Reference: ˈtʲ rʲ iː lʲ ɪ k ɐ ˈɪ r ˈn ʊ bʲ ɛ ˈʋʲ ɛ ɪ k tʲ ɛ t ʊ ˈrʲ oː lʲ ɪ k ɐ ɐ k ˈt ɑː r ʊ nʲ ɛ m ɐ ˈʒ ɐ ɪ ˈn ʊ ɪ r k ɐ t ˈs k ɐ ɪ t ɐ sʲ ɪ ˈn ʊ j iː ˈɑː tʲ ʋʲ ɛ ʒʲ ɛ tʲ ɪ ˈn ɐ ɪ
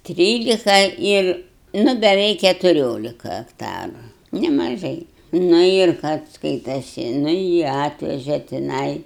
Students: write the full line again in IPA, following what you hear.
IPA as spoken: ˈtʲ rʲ iː lʲ ɪ k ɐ ˈɪ r ˈn ʊ bʲ ɛ ˈʋʲ ɛ ɪ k kʲ ɛ t ʊ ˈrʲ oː lʲ ɪ k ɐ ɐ k ˈt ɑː r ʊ nʲ ɛ m ɐ ˈʒ ɐ ɪ ˈn ʊ ɪ r k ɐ t ˈs k ɐ ɪ t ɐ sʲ ɪ ˈn ʊ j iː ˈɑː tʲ ʋʲ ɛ ʒʲ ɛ tʲ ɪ ˈn ɐ ɪ

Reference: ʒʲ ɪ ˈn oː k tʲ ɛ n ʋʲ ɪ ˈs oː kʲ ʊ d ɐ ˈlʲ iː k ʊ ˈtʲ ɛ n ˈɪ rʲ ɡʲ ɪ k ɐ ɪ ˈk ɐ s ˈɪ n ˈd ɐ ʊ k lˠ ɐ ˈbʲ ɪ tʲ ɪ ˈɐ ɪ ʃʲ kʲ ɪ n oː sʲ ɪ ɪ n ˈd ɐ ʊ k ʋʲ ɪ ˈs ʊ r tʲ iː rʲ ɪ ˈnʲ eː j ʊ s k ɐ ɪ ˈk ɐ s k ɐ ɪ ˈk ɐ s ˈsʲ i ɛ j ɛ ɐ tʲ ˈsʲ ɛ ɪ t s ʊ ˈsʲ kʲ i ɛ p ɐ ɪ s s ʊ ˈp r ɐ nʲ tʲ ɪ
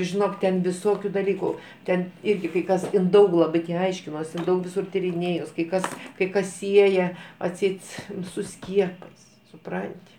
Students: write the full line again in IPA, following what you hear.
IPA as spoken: ʒʲ ɪ ˈn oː k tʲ ɛ n ʋʲ ɪ ˈs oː kʲ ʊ d ɐ ˈlʲ iː k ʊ ˈtʲ ɛ n ˈɪ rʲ ɡʲ ɪ k ɐ ɪ ˈk ɐ s ˈɪ n ˈd ɐ ʊ k lˠ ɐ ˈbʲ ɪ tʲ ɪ ˈɐ ɪ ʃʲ kʲ ɪ n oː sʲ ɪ ɪ n ˈd ɐ ʊ k ʋʲ ɪ ˈs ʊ r tʲ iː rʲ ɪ ˈnʲ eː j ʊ s k ɐ ɪ ˈk ɐ s k ɐ ɪ ˈk ɐ s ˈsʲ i ɛ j ɛ ɐ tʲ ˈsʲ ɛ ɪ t s ʊ ˈsʲ kʲ i ɛ p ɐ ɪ s s ʊ ˈp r ɐ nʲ tʲ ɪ

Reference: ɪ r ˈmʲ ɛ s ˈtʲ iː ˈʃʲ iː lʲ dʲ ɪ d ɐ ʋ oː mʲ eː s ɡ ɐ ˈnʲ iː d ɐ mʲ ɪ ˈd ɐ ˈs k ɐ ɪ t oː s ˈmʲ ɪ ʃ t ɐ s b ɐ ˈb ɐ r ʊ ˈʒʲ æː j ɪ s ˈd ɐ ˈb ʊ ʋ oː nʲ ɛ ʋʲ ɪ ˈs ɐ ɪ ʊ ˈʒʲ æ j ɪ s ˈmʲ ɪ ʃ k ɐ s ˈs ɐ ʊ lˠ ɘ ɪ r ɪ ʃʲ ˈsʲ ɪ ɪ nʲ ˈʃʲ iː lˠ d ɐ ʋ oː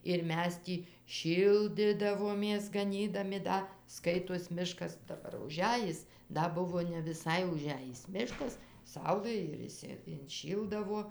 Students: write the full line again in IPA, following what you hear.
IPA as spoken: ɪ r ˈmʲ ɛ s ˈtʲ iː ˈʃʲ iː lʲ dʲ ɪ d ɐ ʋ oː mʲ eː s ɡ ɐ ˈnʲ iː d ɐ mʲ ɪ ˈd ɐ ˈs k ɐ ɪ t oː s ˈmʲ ɪ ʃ k ɐ s d ɐ ˈb ɐ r ʊ ˈʒʲ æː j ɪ s ˈd ɐ ˈb ʊ ʋ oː nʲ ɛ ʋʲ ɪ ˈs ɐ ɪ ʊ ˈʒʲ æ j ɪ s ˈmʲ ɪ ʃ k ɐ s ˈs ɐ ʊ lˠ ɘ ɪ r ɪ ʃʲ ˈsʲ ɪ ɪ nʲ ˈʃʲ iː lˠ d ɐ ʋ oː

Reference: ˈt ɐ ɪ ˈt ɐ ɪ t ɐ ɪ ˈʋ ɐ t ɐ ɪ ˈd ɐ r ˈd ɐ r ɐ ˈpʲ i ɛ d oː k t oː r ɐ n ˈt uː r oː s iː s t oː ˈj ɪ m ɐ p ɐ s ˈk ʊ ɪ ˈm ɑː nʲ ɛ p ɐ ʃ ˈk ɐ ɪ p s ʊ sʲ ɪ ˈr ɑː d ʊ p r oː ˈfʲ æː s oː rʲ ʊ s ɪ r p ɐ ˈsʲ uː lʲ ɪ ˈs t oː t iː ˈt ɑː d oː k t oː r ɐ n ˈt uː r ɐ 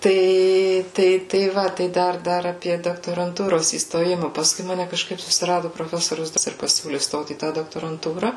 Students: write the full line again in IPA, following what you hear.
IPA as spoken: ˈt ɐ ɪ ˈt ɐ ɪ t ɐ ɪ ˈʋ ɐ t ɐ ɪ ˈd ɐ r ˈd ɐ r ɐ ˈpʲ i ɛ d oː k t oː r ɐ n ˈt uː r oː s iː s t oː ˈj ɪ m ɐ p ɐ s ˈk ʊ ɪ ˈm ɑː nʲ ɛ k ɐ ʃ ˈk ɐ ɪ p s ʊ sʲ ɪ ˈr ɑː d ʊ p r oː ˈfʲ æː s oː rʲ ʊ s ɪ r p ɐ ˈsʲ uː lʲ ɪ ˈs t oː t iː ˈt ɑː d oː k t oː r ɐ n ˈt uː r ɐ

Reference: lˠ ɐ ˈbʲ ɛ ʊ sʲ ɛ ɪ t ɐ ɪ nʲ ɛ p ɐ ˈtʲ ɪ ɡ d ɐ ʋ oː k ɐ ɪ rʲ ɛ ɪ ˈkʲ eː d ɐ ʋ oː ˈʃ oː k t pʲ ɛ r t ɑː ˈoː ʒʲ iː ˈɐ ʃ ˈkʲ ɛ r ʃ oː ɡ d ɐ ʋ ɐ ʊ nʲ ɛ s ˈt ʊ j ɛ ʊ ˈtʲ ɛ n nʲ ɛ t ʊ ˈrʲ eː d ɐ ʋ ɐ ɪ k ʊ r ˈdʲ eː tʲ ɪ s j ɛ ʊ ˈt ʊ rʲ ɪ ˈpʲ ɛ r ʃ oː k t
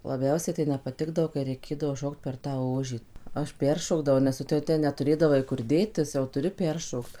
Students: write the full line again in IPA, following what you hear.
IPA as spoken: lˠ ɐ ˈbʲ ɛ ʊ sʲ ɛ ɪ t ɐ ɪ nʲ ɛ p ɐ ˈtʲ ɪ ɡ d ɐ ʋ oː k ɐ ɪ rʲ ɛ ɪ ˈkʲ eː d ɐ ʋ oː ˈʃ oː k t pʲ ɛ r t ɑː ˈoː ʒʲ iː ˈɐ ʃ ˈpʲ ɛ r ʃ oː ɡ d ɐ ʋ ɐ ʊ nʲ ɛ s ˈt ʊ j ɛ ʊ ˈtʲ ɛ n nʲ ɛ t ʊ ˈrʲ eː d ɐ ʋ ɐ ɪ k ʊ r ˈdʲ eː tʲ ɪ s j ɛ ʊ ˈt ʊ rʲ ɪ ˈpʲ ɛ r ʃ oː k t

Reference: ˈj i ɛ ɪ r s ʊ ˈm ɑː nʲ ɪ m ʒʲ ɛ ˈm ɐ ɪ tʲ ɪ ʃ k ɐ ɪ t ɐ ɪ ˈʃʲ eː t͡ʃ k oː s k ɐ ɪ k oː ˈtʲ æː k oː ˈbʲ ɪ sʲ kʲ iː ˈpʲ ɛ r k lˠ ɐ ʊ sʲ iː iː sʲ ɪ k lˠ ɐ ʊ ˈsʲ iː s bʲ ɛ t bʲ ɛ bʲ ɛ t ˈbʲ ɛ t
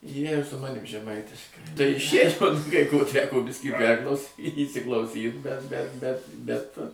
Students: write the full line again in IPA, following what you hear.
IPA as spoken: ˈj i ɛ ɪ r s ʊ ˈm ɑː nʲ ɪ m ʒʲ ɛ ˈm ɐ ɪ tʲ ɪ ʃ k ɐ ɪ t ɐ ɪ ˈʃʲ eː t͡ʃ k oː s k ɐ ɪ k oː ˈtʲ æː k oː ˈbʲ ɪ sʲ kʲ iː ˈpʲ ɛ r k lˠ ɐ ʊ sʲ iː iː sʲ ɪ k lˠ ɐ ʊ ˈsʲ iː t bʲ ɛ t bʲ ɛ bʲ ɛ t ˈbʲ ɛ t

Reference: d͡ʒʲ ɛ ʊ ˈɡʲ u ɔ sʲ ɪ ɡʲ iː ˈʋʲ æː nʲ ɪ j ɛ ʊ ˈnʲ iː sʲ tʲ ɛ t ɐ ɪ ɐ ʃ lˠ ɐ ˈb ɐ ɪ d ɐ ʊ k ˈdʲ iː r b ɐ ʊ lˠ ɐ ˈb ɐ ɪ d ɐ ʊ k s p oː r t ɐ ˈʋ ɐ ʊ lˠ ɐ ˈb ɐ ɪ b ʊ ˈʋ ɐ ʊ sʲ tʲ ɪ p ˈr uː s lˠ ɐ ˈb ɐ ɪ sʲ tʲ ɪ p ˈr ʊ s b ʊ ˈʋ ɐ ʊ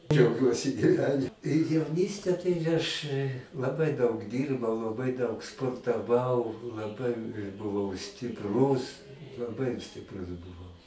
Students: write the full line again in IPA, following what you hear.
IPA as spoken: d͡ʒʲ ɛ ʊ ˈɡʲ u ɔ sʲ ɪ ɡʲ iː ˈʋʲ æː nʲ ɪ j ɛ ʊ ˈnʲ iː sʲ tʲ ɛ t ɐ ɪ ɐ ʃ lˠ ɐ ˈb ɐ ɪ d ɐ ʊ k ˈdʲ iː r b ɐ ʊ lˠ ɐ ˈb ɐ ɪ d ɐ ʊ k s p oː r t ɐ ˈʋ ɐ ʊ lˠ ɐ ˈb ɐ ɪ b ʊ ˈʋ ɐ ʊ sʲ tʲ ɪ p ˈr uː s lˠ ɐ ˈb ɐ ɪ sʲ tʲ ɪ p ˈr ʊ s b ʊ ˈʋ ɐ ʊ

